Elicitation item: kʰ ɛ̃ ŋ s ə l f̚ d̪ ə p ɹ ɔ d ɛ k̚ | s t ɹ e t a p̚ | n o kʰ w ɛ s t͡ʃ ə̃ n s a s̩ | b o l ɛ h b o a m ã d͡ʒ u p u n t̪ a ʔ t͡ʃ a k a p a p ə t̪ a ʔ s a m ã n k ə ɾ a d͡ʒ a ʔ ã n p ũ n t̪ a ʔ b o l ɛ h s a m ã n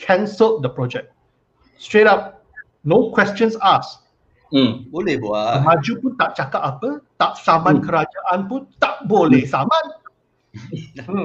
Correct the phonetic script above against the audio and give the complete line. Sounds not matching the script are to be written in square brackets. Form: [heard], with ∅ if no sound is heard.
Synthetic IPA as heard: kʰ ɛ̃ [n] s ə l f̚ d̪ ə p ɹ ɔ [d͡ʒ] ɛ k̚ | s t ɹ e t a p̚ | n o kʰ w ɛ s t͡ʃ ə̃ n s a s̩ | b o l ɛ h b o a m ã d͡ʒ u p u n t̪ a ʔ t͡ʃ a k a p a p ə t̪ a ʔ s a m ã n k ə ɾ a d͡ʒ a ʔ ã n p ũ n t̪ a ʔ b o l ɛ h s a m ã n